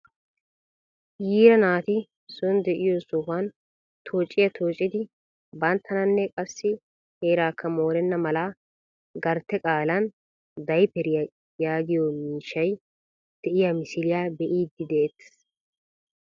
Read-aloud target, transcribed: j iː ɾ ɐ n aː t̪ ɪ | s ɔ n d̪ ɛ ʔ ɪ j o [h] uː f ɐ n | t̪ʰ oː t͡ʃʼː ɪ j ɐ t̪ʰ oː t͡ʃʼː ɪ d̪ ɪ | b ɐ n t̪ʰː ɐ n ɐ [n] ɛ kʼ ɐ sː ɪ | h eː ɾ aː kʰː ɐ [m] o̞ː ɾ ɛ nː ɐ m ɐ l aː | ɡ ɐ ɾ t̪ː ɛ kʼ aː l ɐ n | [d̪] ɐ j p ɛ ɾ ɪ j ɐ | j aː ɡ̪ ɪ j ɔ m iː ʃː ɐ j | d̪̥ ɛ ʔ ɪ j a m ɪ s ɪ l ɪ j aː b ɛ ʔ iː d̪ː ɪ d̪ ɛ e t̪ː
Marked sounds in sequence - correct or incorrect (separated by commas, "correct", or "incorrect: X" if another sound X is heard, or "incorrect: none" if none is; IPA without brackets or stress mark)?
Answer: incorrect: s, incorrect: nː, correct, correct